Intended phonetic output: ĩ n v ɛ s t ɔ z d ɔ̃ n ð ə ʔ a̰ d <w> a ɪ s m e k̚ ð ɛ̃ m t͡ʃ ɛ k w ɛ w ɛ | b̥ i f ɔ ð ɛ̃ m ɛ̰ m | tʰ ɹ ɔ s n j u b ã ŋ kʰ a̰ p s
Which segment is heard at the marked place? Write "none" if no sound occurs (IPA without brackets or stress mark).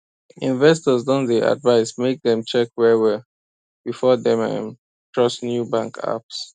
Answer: v